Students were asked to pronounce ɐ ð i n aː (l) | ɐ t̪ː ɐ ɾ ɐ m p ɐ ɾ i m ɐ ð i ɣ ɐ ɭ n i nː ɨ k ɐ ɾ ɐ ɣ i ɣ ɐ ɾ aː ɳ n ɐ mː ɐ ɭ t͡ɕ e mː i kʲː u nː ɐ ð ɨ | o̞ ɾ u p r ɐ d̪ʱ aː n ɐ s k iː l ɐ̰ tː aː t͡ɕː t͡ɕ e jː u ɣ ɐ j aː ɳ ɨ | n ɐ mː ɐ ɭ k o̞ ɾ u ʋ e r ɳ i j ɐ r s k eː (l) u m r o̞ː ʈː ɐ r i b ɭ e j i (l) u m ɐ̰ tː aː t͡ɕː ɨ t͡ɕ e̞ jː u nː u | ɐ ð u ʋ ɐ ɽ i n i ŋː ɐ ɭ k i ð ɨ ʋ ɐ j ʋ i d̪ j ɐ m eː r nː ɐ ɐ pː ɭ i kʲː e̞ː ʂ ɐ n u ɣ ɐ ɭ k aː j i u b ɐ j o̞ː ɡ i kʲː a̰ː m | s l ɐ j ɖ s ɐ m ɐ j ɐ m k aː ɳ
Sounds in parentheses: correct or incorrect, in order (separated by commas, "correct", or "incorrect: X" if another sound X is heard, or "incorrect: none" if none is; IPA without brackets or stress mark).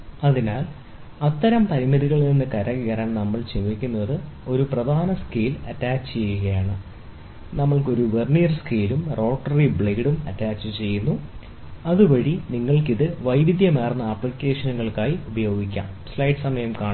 correct, correct, incorrect: ɽ